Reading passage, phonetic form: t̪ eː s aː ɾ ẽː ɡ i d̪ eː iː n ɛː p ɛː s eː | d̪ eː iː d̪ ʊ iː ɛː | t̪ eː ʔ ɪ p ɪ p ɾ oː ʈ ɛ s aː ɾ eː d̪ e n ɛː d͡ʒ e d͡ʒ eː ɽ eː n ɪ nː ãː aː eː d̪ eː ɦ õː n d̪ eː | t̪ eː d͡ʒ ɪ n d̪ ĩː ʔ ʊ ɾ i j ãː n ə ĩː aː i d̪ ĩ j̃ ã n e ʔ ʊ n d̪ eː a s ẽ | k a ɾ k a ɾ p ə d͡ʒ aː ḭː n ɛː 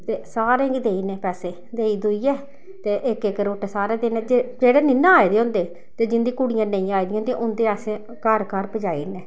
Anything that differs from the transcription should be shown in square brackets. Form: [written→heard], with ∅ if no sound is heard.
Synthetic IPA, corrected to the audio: t̪ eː s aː ɾ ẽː ɡ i d̪ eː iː n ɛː p ɛː s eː | d̪ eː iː d̪ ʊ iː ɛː | t̪ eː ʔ ɪ [p→k] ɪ [p→k] ɾ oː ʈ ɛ s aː ɾ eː d̪ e n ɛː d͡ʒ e d͡ʒ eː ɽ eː n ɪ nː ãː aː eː d̪ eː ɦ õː n d̪ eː | t̪ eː d͡ʒ ɪ n d̪ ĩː [ʔ→k] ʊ [ɾ→ɽ] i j ãː n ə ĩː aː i d̪ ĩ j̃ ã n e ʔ ʊ n d̪ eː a s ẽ | k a ɾ k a ɾ p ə d͡ʒ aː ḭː n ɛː